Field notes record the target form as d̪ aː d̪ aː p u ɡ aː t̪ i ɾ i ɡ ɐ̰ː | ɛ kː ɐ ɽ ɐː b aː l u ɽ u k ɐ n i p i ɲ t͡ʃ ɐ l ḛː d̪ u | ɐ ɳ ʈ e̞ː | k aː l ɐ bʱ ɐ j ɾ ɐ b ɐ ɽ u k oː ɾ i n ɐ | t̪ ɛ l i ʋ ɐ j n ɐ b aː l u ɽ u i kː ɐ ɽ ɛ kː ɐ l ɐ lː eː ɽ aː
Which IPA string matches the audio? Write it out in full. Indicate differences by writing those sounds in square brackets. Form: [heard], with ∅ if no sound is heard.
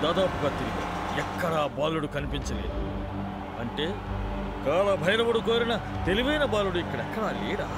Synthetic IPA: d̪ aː d̪ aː p u ɡ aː t̪ i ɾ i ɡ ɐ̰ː | ɛ kː ɐ ɽ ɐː b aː l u ɽ u k ɐ n i p i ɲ t͡ʃ ɐ l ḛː d̪ u | ɐ ɳ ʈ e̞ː | k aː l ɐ bʱ ɐ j ɾ ɐ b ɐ ɽ u k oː ɾ i n ɐ | t̪ [e] l i ʋ ɐ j n ɐ b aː l u ɽ u i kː ɐ ɽ ɛ kː ɐ [ɽ] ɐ [l] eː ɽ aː